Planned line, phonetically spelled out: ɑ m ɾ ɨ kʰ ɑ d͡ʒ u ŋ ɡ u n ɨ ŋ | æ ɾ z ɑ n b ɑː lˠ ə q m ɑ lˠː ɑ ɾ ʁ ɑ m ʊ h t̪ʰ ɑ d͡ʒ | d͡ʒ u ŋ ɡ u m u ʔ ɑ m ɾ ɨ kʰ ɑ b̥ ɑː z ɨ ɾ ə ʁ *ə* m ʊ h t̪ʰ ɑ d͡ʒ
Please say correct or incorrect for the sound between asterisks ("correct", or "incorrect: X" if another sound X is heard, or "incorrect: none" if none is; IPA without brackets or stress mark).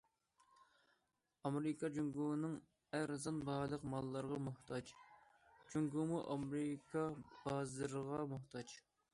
incorrect: ɑ